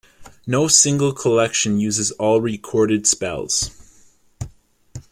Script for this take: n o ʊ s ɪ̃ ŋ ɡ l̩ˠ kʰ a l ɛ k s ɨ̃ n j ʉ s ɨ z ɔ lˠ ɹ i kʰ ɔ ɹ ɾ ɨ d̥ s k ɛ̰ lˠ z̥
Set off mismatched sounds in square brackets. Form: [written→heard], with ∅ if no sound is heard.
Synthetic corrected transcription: n o ʊ s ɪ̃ ŋ ɡ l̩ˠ kʰ [a→ə] l ɛ k [s→ʃ] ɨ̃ n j ʉ [s→z] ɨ z ɔ lˠ ɹ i kʰ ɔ ɹ ɾ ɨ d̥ s [k→p] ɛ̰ lˠ z̥

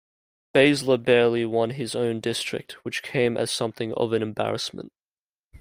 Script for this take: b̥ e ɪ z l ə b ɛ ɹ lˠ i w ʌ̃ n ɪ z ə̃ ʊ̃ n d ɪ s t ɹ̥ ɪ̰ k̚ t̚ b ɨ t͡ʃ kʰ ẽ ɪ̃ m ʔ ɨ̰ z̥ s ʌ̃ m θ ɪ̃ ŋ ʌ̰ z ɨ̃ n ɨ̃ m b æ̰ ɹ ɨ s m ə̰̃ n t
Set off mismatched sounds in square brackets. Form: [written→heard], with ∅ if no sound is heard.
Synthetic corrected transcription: b̥ e ɪ z l ə b ɛ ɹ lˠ i w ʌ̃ n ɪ z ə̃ ʊ̃ n d ɪ s t ɹ̥ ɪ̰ k̚ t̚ [b→w] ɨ t͡ʃ kʰ ẽ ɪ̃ m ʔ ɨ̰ z̥ s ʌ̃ m θ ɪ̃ ŋ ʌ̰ [z→v] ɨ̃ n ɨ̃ m b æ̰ ɹ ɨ s m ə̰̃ n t

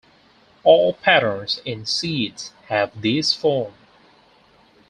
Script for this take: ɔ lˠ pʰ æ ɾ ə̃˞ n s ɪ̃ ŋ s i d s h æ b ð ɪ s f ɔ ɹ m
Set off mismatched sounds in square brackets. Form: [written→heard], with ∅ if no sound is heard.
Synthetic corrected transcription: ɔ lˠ pʰ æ ɾ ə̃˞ n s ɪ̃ [ŋ→n] s i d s h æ [b→v] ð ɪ s f ɔ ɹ m

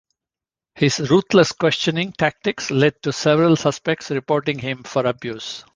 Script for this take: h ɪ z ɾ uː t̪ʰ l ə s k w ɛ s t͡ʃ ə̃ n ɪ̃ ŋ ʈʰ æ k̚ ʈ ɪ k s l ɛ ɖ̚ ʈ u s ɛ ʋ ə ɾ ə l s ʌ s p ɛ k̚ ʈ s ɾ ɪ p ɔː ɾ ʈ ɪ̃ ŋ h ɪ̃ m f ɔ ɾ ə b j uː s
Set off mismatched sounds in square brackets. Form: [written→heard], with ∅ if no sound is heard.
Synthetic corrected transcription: h ɪ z ɾ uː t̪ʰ l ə s k w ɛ s t͡ʃ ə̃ n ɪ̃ ŋ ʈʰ æ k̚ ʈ ɪ k s l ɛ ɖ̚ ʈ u s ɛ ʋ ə ɾ ə l s ʌ s p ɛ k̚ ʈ s ɾ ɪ p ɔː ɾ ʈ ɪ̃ ŋ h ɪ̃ m f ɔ ɾ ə b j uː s

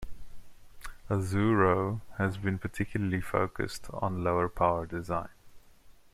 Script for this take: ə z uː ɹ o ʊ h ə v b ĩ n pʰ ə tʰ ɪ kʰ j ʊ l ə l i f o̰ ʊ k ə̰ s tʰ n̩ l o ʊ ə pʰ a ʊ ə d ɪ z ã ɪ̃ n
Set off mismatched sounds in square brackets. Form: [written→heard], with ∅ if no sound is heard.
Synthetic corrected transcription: ə z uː ɹ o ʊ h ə [v→z] b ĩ n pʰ ə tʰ ɪ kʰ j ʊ l ə l i f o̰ ʊ k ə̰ s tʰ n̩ l o ʊ ə pʰ a ʊ ə d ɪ z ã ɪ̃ n

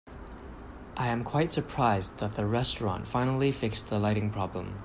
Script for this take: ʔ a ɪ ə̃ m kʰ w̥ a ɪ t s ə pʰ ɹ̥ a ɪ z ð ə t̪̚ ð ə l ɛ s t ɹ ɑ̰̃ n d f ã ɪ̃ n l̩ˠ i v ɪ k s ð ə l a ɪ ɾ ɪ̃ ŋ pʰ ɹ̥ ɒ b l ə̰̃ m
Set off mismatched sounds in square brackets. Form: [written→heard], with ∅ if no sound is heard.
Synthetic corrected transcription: ʔ a ɪ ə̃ m kʰ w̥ a ɪ t s ə pʰ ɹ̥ a ɪ z ð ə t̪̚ ð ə [l→ɹ] ɛ s t ɹ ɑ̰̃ n [d→t] f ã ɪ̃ n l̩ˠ i [v→f] ɪ k s ð ə l a ɪ ɾ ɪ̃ ŋ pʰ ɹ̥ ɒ b l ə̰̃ m

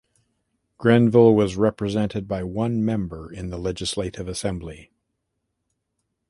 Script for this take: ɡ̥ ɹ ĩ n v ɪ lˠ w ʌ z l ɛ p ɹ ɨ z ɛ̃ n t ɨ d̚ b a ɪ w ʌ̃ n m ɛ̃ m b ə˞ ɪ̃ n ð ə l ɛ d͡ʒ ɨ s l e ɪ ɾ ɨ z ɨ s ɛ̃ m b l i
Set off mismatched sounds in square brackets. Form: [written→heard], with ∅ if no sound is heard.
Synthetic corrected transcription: ɡ̥ ɹ [ĩ→ɛ̃] n v ɪ lˠ w ʌ z [l→ɹ] ɛ p ɹ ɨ z ɛ̃ n t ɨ d̚ b a ɪ w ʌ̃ n m ɛ̃ m b ə˞ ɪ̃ n ð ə l ɛ d͡ʒ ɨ s l e ɪ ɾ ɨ [z→v] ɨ s ɛ̃ m b l i

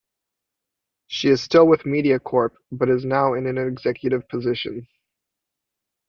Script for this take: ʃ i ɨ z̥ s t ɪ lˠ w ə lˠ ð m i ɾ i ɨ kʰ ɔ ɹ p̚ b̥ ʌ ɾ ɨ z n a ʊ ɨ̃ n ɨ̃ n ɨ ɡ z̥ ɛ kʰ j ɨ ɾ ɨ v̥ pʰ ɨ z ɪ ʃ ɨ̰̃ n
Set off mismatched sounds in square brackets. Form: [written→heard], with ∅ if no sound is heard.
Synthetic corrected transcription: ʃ i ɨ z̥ s t ɪ lˠ w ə [lˠ→∅] ð m i ɾ i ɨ kʰ ɔ ɹ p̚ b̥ ʌ ɾ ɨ z n a ʊ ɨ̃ n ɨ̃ n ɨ ɡ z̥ ɛ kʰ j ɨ ɾ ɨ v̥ pʰ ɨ z ɪ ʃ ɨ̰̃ n

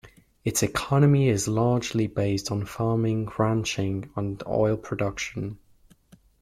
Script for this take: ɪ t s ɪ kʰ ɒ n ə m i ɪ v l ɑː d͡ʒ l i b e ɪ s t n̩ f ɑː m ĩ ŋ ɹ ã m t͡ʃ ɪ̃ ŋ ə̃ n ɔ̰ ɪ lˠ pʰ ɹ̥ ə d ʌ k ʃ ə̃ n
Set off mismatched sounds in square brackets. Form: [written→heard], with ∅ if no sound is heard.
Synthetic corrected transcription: ɪ t s ɪ kʰ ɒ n ə m i ɪ [v→z] l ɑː d͡ʒ l i b e ɪ s t n̩ f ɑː m [ĩ→ɪ̃] ŋ ɹ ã [m→n] t͡ʃ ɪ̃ ŋ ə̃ n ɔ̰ ɪ lˠ pʰ ɹ̥ ə d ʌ k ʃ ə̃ n

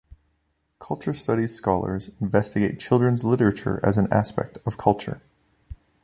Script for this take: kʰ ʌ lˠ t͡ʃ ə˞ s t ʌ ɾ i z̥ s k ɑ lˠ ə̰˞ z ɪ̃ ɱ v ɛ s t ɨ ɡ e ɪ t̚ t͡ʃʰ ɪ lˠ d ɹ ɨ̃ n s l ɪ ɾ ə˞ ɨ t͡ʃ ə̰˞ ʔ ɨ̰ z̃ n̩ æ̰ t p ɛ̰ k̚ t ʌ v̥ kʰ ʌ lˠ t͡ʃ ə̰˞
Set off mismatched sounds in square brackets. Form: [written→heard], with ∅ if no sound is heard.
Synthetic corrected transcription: kʰ ʌ lˠ t͡ʃ ə˞ s t ʌ ɾ i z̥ s k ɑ lˠ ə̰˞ z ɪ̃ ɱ v ɛ s t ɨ ɡ e ɪ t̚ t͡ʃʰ ɪ lˠ d ɹ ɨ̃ n [s→z] l ɪ ɾ ə˞ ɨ t͡ʃ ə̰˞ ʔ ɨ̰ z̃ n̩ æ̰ [t→s] p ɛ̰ k̚ t ʌ v̥ kʰ ʌ lˠ t͡ʃ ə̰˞

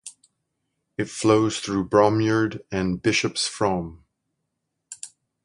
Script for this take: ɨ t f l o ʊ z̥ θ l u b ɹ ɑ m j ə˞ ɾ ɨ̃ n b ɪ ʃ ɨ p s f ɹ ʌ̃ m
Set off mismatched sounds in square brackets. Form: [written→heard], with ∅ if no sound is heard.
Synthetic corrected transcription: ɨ t f l o ʊ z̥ θ [l→ɹ] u b ɹ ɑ m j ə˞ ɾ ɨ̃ n b ɪ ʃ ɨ p s f ɹ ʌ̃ m

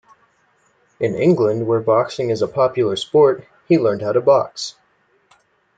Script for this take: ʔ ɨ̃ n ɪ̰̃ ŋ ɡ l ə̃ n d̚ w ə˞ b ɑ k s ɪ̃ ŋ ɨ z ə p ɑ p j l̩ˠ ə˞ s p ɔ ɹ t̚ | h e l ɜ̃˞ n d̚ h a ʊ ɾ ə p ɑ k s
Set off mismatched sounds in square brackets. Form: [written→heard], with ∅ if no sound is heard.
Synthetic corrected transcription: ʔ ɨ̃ n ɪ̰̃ ŋ ɡ l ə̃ n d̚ w ə˞ b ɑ k s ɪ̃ ŋ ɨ z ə [p→pʰ] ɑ p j l̩ˠ ə˞ s p ɔ ɹ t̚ | h [e→i] l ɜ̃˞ n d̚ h a ʊ ɾ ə [p→b] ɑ k s

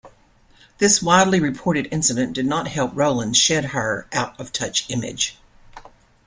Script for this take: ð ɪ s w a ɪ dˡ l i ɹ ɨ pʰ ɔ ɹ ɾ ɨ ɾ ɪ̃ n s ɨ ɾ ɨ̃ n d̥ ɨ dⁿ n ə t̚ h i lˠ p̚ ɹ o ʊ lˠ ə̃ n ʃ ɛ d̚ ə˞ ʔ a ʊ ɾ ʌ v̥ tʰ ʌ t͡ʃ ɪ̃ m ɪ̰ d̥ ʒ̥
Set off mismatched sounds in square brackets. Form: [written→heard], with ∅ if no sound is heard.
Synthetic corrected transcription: ð ɪ s w a ɪ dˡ l i ɹ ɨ pʰ ɔ ɹ ɾ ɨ ɾ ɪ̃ n s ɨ ɾ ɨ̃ n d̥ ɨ dⁿ n ə t̚ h [i→ɛ] lˠ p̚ ɹ o ʊ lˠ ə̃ n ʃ ɛ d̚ ə˞ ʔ a ʊ ɾ ʌ v̥ tʰ ʌ t͡ʃ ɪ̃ m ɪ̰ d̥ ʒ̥

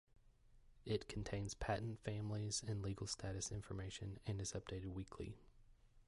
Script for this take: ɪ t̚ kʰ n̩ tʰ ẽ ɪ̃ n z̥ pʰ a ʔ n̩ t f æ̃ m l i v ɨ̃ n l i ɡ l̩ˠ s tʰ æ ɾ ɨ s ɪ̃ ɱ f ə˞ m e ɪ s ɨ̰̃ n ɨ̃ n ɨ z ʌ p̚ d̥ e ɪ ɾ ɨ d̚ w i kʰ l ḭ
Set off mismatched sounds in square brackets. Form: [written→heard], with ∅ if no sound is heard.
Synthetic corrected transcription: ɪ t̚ kʰ n̩ tʰ ẽ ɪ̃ n z̥ pʰ [a→æ] ʔ n̩ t f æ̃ m l i [v→z] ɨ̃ n l i ɡ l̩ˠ s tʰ æ ɾ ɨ s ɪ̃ ɱ f ə˞ m e ɪ [s→ʃ] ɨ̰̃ n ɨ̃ n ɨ z ʌ p̚ d̥ e ɪ ɾ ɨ d̚ w i kʰ l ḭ

